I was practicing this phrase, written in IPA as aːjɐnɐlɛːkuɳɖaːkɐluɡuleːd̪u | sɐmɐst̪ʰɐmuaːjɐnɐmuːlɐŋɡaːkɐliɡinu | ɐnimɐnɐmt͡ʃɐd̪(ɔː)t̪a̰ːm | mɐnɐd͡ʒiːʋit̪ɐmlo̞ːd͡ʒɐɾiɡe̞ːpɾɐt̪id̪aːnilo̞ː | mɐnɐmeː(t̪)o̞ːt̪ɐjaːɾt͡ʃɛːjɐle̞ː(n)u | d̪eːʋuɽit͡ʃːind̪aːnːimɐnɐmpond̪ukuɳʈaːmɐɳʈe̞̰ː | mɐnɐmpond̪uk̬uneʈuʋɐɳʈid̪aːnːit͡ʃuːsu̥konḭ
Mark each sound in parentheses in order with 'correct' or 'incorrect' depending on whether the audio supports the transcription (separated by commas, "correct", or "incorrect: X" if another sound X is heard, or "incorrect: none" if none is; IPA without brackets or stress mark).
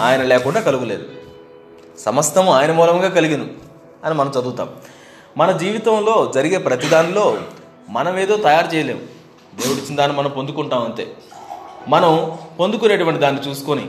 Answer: incorrect: uː, incorrect: d̪, incorrect: m